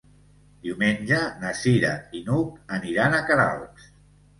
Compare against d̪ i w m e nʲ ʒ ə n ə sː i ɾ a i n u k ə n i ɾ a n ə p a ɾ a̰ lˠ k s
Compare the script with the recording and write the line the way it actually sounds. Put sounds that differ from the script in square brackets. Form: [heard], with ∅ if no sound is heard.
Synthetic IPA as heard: d̪ i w m e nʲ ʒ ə n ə [s] i ɾ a i n u k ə n i ɾ a n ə [k] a ɾ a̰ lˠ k s